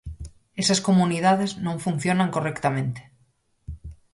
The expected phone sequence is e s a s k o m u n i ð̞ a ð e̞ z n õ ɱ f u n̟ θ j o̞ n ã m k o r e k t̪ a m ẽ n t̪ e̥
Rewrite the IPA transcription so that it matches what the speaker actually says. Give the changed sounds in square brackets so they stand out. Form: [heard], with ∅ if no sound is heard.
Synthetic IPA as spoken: e s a s k o m u n i ð̞ a ð e̞ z n õ ɱ f u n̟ θ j o̞ n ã [ŋ] k o r e k t̪ a m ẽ n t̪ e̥